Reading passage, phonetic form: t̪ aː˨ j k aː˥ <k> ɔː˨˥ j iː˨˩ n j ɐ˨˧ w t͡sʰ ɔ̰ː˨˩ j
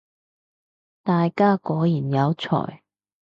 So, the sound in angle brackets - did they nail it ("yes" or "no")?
yes